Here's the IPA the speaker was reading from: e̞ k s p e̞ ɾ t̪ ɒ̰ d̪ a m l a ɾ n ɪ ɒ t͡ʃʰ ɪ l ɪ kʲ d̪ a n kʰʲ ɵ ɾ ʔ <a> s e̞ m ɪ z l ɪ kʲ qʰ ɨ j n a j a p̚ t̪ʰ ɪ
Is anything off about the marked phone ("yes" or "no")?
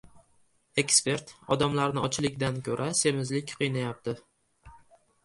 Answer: no